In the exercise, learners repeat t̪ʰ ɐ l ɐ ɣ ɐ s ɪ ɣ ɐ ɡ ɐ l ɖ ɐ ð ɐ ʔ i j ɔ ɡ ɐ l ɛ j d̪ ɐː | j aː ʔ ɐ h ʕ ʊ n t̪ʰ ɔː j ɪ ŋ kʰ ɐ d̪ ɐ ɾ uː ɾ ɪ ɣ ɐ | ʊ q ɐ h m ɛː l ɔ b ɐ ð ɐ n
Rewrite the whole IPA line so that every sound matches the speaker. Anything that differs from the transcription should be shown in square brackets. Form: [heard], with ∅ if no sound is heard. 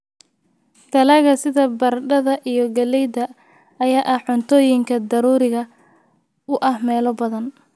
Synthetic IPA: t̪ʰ ɐ l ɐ ɣ ɐ s ɪ [ð] ɐ [b] ɐ [r] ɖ ɐ ð ɐ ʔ i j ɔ ɡ ɐ l ɛ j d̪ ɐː | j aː ʔ ɐ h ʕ ʊ n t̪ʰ ɔː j ɪ ŋ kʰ ɐ d̪ ɐ ɾ uː ɾ ɪ ɣ ɐ | ʊ [ʔ] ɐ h m ɛː l ɔ b ɐ ð ɐ n

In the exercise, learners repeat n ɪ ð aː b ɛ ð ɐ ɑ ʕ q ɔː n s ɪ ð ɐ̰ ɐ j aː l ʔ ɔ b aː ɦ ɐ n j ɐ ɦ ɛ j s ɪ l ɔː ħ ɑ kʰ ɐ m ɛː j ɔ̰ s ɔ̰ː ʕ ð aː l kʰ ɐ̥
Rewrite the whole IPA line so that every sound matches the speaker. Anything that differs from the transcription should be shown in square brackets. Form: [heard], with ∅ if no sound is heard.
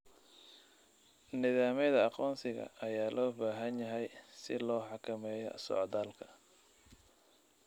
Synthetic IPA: n ɪ ð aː [m] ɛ ð ɐ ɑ [∅] q ɔː n s ɪ [ɣ] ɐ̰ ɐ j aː l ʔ [ɔː] b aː ɦ ɐ n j ɐ ɦ ɛ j s ɪ l ɔː ħ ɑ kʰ ɐ m ɛː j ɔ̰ s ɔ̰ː ʕ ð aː l kʰ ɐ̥

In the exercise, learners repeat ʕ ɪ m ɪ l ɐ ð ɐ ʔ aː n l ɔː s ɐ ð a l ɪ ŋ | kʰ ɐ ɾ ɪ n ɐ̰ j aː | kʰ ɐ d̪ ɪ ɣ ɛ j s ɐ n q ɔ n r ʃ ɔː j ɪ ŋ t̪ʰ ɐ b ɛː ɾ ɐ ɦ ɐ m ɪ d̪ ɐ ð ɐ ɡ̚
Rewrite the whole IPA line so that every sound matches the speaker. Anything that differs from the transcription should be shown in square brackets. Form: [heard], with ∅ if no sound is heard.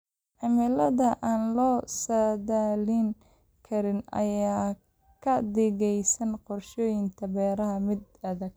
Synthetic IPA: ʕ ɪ m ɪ l ɐ ð ɐ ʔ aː n l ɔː s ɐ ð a l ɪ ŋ | kʰ ɐ ɾ ɪ n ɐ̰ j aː | kʰ ɐ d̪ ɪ ɣ ɛ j s ɐ n q ɔ [∅] r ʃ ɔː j ɪ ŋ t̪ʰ ɐ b ɛː ɾ ɐ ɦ ɐ m ɪ d̪ ɐ ð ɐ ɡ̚

